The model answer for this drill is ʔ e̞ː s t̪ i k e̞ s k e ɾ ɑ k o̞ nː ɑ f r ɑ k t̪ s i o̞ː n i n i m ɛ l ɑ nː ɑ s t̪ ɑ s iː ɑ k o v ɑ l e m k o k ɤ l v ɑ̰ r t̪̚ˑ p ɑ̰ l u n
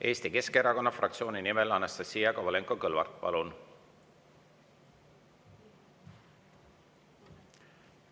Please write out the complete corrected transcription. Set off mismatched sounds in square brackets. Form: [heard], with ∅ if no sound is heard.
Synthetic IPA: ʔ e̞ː s t̪ i k e̞ s k e ɾ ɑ k o̞ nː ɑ f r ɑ k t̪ s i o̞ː n i n i m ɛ l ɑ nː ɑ s t̪ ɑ s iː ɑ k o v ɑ l e [ŋ] k o k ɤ l v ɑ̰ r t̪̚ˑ p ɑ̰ l u n

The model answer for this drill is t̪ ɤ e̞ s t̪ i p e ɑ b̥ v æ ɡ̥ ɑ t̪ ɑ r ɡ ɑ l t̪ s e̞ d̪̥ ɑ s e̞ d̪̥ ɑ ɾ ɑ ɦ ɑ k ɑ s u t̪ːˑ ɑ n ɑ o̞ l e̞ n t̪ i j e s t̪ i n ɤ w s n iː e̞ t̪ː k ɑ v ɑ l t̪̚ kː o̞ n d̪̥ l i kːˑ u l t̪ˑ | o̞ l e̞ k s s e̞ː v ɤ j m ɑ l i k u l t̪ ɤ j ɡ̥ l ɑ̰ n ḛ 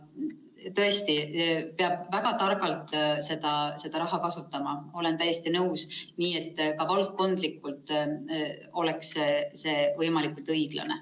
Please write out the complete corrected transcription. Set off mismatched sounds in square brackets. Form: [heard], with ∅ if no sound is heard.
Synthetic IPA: t̪ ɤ e̞ s t̪ i p e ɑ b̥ v æ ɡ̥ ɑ t̪ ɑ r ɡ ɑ l t̪ s e̞ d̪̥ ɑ s e̞ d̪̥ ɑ ɾ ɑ ɦ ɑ k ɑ s u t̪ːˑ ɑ [m] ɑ o̞ l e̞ n t̪ [æ] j e s t̪ i n ɤ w s n iː e̞ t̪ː k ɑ v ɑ l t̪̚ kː o̞ n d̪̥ l i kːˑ u l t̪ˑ | o̞ l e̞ k s s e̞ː v ɤ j m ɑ l i k u l t̪ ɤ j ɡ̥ l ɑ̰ n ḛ

